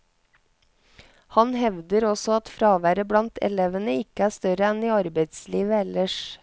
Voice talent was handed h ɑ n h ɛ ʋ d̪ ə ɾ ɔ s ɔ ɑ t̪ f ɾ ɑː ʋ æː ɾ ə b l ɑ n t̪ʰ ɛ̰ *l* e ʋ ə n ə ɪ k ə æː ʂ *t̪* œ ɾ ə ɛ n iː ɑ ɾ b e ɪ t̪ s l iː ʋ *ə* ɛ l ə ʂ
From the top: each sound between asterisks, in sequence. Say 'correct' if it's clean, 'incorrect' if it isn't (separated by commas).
correct, correct, correct